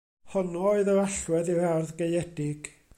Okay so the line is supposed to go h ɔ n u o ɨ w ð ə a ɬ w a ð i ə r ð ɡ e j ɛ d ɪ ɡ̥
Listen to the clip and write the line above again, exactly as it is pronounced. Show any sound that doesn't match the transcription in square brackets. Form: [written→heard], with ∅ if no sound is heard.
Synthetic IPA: h ɔ n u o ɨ [w→∅] ð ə a ɬ w [a→ɛ] ð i [ə→a] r ð ɡ e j ɛ d ɪ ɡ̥